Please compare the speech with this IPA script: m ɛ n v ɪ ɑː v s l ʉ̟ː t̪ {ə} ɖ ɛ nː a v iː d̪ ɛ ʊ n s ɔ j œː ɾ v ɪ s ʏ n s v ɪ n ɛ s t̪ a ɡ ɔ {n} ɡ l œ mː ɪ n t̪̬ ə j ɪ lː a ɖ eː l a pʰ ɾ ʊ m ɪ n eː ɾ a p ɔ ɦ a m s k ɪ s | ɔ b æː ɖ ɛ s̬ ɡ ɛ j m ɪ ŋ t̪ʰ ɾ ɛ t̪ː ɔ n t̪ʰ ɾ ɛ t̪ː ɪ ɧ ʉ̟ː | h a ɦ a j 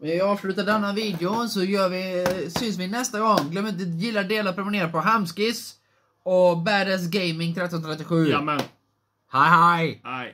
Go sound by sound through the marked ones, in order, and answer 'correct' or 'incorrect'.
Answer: incorrect: a, incorrect: ŋ

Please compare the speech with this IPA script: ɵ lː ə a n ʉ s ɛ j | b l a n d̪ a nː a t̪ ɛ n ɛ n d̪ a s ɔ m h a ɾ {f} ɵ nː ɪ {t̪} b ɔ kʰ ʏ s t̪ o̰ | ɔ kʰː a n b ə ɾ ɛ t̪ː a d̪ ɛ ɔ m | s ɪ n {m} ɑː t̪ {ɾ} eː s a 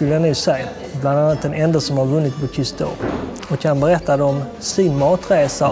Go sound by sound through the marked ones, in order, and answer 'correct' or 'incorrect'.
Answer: incorrect: v, correct, correct, correct

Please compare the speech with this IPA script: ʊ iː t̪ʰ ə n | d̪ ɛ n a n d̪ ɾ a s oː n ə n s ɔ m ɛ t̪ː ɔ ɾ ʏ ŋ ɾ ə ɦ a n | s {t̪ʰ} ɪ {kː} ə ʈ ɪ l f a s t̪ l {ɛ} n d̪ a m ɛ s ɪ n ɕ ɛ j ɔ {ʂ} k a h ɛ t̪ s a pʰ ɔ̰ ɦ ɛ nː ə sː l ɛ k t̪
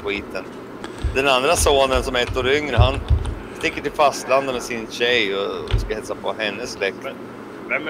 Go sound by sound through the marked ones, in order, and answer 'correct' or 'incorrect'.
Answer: incorrect: t̪, correct, incorrect: a, incorrect: s

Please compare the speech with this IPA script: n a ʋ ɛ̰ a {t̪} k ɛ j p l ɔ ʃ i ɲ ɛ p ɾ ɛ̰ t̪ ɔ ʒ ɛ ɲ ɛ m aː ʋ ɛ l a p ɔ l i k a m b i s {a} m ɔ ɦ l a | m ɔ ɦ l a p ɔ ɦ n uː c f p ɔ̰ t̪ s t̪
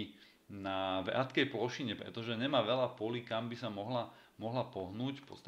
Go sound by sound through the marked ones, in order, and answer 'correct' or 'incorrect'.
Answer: correct, correct

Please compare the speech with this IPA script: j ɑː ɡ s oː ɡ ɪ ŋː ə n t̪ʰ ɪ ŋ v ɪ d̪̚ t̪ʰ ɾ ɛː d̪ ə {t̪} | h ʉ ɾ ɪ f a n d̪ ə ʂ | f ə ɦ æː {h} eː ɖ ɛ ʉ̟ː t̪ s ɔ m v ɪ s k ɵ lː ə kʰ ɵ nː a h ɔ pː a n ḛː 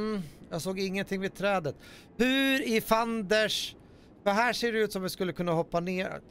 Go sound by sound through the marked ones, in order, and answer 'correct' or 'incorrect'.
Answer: correct, incorrect: ʂ

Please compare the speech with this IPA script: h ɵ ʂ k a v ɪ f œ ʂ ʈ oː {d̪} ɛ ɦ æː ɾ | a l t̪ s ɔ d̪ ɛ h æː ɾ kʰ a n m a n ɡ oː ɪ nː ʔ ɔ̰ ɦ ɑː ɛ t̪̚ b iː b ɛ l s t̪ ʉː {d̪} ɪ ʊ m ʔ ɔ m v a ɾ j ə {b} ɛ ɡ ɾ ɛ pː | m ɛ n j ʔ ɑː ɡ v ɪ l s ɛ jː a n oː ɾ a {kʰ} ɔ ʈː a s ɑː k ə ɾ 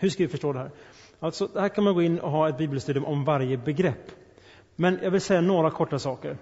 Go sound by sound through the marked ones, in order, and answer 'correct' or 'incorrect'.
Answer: correct, correct, correct, correct

